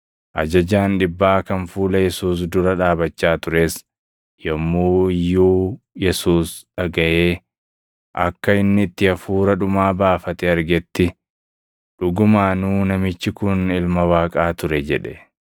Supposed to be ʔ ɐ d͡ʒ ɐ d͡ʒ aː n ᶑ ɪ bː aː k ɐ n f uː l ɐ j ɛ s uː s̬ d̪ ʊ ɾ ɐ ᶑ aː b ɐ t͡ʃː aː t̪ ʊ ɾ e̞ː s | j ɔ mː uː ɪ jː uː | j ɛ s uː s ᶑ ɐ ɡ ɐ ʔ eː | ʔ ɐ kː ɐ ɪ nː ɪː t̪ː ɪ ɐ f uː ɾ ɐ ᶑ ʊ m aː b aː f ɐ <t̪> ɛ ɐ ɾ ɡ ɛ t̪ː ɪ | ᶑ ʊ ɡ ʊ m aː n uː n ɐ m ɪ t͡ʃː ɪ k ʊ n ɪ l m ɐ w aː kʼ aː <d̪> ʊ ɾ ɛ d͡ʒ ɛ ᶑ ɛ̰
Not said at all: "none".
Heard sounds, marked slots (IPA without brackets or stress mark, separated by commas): t̪, t̪